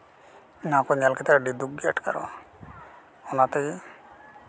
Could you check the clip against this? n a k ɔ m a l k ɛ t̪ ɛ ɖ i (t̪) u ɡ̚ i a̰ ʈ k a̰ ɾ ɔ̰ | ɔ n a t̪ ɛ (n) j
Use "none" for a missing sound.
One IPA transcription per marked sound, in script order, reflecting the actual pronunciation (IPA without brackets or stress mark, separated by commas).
d̪, none